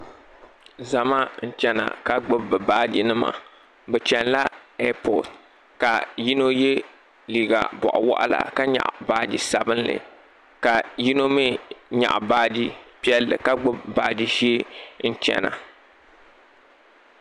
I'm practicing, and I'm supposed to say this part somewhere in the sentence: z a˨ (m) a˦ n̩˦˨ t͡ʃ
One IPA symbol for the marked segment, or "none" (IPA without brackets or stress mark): m